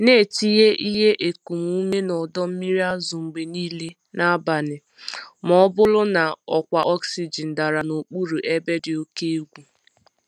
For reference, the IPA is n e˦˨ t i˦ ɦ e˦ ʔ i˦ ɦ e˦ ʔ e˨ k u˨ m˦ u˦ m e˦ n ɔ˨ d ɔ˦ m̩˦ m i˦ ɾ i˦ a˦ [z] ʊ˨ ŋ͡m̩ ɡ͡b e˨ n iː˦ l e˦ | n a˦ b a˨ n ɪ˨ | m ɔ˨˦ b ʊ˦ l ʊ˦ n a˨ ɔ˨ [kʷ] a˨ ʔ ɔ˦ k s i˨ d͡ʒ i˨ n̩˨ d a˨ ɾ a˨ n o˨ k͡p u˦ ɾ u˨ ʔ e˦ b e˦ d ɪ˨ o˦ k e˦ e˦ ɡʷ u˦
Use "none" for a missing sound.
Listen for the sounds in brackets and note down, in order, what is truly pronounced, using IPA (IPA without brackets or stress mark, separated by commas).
z, kʷ